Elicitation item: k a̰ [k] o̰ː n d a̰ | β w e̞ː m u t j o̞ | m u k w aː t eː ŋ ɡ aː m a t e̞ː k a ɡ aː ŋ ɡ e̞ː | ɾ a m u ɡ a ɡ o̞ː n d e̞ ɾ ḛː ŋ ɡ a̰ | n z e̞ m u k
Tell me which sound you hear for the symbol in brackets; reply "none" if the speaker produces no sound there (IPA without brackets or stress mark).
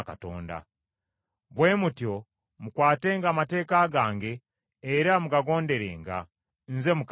t